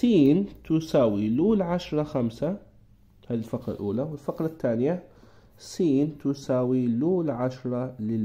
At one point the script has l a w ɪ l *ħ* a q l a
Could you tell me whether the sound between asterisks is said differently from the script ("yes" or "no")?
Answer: yes